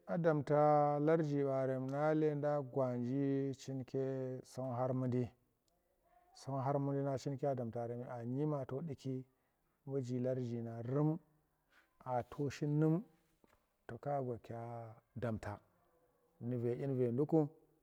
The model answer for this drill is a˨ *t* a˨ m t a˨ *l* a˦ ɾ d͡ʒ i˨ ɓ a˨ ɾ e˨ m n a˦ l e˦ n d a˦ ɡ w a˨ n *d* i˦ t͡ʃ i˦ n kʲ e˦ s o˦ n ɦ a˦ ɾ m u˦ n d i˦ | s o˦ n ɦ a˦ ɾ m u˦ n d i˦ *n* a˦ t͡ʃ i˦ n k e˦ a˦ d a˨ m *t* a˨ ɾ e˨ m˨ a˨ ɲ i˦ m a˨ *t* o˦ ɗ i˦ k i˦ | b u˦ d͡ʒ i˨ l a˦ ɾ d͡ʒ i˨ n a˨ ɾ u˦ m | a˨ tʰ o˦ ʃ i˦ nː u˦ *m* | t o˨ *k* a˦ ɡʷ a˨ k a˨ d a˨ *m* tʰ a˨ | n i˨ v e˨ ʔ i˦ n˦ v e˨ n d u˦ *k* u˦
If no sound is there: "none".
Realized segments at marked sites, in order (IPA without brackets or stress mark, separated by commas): d, l, d͡ʒ, n, t, t, m, k, m, k